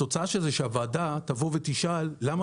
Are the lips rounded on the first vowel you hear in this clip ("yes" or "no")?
yes